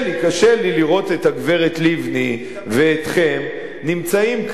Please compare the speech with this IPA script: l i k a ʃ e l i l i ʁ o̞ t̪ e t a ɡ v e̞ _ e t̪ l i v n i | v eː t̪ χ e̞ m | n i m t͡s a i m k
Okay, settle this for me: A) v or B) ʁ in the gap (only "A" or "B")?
B